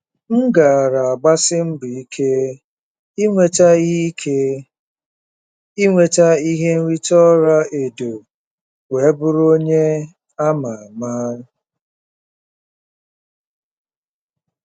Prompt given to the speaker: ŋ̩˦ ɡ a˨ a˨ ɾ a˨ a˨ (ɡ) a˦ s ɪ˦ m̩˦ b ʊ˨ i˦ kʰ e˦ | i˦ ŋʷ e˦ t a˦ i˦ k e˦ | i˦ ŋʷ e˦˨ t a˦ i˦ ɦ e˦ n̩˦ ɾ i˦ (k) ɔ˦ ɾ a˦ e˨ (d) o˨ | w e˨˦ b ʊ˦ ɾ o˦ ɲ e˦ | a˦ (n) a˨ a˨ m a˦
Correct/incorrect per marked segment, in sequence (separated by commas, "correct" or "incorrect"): incorrect, incorrect, correct, incorrect